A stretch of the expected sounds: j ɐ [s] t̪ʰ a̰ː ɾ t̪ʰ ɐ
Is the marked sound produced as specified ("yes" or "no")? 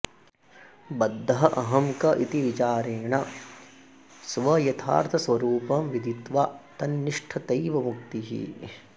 no